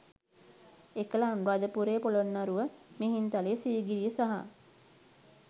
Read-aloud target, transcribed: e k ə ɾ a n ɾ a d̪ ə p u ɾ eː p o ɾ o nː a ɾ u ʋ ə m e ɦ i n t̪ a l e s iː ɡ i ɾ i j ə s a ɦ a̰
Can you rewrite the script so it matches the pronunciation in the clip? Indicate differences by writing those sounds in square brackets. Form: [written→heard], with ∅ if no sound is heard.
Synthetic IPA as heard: e k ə [ɾ→l] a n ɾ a d̪ ə p u ɾ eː p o [ɾ→l] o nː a ɾ u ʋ ə m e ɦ i n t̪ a l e s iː ɡ i ɾ i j ə s a ɦ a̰